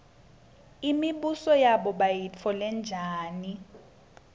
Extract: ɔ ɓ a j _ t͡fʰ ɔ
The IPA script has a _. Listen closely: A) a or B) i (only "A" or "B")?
B